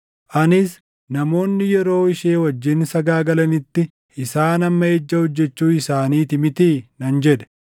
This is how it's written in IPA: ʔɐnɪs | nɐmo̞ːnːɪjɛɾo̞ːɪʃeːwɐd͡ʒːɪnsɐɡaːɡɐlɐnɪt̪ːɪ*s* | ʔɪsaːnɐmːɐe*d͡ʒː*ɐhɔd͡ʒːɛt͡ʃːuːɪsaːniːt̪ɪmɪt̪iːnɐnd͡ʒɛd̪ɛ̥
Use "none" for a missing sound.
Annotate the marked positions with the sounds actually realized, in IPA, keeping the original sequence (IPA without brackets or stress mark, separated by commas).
none, d͡ʒː